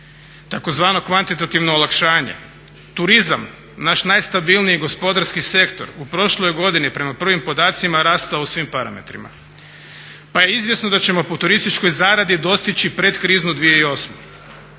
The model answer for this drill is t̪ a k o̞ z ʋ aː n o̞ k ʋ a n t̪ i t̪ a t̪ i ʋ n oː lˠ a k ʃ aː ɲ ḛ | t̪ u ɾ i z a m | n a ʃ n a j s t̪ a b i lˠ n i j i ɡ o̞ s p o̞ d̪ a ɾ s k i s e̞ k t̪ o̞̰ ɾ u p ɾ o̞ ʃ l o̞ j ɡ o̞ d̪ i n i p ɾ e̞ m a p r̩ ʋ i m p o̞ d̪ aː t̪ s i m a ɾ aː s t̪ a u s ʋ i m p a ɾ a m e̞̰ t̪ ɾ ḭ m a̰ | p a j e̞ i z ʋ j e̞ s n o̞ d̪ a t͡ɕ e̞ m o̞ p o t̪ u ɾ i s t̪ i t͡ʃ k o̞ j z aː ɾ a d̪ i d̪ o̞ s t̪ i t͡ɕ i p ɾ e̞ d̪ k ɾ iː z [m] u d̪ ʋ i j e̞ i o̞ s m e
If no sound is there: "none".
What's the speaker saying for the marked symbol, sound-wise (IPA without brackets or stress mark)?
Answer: n